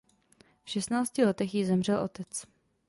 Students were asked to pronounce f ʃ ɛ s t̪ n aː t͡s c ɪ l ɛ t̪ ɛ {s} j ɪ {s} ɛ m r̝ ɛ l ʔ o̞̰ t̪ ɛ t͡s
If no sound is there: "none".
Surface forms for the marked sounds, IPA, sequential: x, z

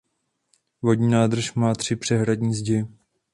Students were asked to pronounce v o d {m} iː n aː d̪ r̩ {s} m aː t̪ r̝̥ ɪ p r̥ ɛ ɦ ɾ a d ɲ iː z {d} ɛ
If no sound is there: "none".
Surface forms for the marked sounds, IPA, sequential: ɲ, ʃ, ɟ

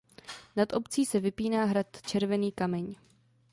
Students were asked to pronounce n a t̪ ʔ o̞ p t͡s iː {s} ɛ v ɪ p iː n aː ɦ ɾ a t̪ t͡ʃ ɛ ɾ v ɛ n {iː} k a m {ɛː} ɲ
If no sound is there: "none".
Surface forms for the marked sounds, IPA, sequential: s, iː, ɛ

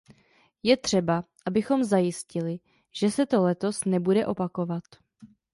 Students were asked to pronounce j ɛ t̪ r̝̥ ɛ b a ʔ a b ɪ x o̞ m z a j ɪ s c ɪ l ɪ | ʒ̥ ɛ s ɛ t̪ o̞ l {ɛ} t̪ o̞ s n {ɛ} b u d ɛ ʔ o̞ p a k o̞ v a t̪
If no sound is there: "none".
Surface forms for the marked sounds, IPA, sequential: ɛ, ɛ

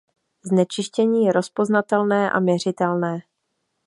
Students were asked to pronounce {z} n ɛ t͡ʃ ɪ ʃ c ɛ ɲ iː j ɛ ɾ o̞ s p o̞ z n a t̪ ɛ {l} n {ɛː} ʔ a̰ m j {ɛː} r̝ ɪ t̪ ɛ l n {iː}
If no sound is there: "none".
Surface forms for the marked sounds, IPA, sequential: z, l, ɛː, ɛ, ɛː

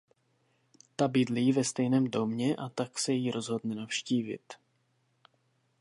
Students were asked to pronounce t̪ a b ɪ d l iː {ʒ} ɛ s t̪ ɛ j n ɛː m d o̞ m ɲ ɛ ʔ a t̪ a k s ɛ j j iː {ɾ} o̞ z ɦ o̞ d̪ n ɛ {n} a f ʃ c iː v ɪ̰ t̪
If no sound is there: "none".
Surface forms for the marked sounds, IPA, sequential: v, ɾ, n

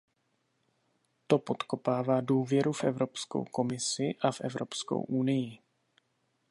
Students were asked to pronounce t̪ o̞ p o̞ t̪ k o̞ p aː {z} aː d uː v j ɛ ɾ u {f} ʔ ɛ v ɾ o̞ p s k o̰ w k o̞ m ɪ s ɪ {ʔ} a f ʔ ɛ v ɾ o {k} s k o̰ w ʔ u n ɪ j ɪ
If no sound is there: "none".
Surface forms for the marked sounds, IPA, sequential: v, f, ʔ, p

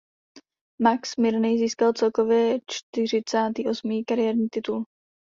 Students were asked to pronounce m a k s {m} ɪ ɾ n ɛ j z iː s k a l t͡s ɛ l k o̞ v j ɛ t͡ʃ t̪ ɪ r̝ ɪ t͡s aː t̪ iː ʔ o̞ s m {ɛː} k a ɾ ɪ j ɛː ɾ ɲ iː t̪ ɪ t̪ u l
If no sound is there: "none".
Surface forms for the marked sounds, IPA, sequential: m, iː

